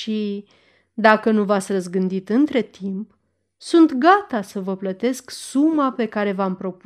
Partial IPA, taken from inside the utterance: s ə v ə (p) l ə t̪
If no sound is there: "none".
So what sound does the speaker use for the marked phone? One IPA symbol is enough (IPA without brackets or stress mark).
p